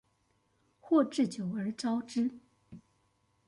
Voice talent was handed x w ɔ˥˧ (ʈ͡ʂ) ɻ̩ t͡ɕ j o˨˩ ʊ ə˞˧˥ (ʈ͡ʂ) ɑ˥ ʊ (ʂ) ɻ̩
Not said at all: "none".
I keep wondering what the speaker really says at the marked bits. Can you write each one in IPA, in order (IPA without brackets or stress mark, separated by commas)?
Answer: ʈ͡ʂ, ʈ͡ʂ, ʈ͡ʂ